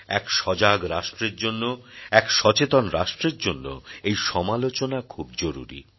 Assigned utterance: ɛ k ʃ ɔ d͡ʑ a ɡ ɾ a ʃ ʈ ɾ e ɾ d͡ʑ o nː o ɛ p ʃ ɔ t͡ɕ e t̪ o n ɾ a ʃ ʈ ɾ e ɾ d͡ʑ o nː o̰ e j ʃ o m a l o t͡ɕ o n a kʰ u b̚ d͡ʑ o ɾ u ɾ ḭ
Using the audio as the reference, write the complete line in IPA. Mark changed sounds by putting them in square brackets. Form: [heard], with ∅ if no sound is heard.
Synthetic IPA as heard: ɛ k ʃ ɔ d͡ʑ a ɡ ɾ a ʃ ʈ ɾ e ɾ d͡ʑ o nː o ɛ [k] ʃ ɔ t͡ɕ e t̪ o n ɾ a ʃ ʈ ɾ e ɾ d͡ʑ o nː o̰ e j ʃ [ɔ] m a l o t͡ɕ o n a kʰ u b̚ d͡ʑ o ɾ u ɾ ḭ